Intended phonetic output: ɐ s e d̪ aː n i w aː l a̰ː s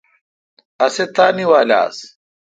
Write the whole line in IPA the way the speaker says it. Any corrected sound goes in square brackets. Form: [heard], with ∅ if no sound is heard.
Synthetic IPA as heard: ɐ s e [t̪] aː n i w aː l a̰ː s